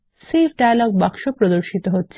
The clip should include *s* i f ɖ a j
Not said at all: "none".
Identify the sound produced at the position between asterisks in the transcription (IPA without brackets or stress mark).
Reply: s